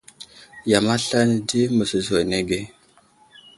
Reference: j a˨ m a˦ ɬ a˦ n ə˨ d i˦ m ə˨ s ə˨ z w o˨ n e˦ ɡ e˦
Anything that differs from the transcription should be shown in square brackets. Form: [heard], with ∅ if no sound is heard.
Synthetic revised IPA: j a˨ m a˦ ɬ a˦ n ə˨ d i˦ m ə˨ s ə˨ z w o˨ n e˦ ɡ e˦